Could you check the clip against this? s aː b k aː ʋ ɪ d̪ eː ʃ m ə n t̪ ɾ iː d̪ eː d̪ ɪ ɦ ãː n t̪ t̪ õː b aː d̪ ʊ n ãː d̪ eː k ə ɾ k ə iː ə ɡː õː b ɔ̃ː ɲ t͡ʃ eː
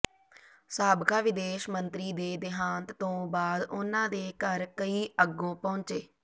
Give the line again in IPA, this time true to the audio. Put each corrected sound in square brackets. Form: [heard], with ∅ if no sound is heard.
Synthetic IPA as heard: s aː b k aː ʋ ɪ d̪ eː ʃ m ə n t̪ ɾ iː d̪ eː d̪ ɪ ɦ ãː n t̪ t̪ õː b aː d̪ ʊ n ãː d̪ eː k ə ɾ k ə iː ə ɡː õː [p] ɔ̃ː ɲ t͡ʃ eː

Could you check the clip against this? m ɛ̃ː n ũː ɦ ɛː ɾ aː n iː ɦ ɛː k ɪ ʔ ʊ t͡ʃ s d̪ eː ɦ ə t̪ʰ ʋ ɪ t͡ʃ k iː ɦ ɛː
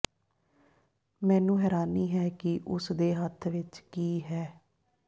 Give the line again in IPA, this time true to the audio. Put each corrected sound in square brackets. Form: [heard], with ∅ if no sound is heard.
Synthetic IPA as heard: m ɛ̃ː n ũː ɦ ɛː ɾ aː n iː ɦ ɛː k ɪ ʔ ʊ [∅] s d̪ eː ɦ ə t̪ʰ ʋ ɪ t͡ʃ k iː ɦ ɛː

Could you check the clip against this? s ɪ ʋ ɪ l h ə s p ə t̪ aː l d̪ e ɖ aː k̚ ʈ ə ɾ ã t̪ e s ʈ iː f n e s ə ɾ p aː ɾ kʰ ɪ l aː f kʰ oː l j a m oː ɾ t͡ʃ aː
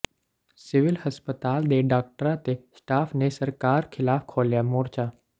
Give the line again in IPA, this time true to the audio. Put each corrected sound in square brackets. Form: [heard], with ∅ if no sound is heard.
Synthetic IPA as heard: s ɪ ʋ ɪ l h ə s p ə t̪ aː l d̪ e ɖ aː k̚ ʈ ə ɾ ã t̪ e s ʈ [aː] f n e s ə ɾ [k] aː ɾ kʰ ɪ l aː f kʰ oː l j a m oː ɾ t͡ʃ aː

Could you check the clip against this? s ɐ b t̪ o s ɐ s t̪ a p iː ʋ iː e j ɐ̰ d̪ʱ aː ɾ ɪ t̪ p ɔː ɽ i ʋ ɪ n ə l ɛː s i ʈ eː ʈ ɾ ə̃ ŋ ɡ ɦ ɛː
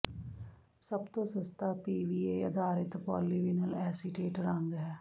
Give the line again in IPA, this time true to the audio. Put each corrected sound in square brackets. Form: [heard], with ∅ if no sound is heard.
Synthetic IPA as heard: s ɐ b t̪ o s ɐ s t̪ a p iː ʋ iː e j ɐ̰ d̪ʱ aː ɾ ɪ t̪ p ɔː [l] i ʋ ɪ n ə l ɛː s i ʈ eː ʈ ɾ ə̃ ŋ ɡ ɦ ɛː

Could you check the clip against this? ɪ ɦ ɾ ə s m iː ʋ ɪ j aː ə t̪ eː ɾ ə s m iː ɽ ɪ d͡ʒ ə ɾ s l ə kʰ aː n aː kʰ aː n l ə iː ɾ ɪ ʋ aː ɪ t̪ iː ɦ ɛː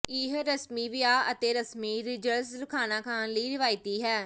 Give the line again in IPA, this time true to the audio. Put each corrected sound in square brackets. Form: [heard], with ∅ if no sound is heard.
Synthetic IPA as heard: ɪ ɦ ɾ ə s m iː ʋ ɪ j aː ə t̪ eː ɾ ə s m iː [ɾ] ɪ d͡ʒ ə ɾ s l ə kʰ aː n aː kʰ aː n l ə iː ɾ ɪ ʋ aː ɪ t̪ iː ɦ ɛː

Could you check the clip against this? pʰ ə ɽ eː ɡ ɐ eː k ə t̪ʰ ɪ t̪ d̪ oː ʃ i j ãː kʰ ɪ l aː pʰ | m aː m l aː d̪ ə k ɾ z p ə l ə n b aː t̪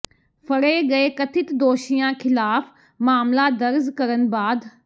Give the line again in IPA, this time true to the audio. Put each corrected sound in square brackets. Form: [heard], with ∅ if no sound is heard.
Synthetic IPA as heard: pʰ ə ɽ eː ɡ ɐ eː k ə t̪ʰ ɪ t̪ d̪ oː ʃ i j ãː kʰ ɪ l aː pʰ | m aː m l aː d̪ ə [∅] ɾ z [k] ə [ɾ] ə n b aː [d̪]

